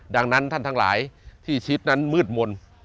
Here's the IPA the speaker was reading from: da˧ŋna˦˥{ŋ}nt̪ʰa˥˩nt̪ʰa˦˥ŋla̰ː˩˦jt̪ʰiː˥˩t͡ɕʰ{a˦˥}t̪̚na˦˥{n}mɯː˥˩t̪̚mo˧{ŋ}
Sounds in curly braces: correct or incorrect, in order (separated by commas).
incorrect, incorrect, correct, incorrect